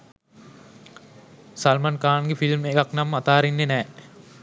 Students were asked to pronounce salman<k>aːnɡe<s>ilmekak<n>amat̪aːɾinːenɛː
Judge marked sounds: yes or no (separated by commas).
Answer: yes, no, yes